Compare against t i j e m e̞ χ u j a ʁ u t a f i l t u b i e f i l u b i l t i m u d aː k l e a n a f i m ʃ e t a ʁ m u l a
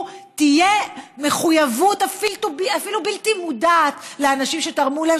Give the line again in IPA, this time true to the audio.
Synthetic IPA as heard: t i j e m e̞ χ u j a v u t a f i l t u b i a f i l u b i l t i m u d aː t l e a n a ʃ i m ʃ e t a ʁ m u l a